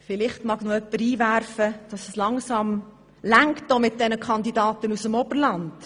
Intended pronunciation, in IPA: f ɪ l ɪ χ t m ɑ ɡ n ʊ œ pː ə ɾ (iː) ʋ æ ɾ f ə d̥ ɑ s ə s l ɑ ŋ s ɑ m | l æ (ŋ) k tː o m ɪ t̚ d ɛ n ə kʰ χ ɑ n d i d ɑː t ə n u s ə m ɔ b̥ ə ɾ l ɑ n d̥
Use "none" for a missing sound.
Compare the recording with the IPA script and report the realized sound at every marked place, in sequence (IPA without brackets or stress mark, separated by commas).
iː, ŋ